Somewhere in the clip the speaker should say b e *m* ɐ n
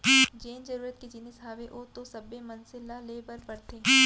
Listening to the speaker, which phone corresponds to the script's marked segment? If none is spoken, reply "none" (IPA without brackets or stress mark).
m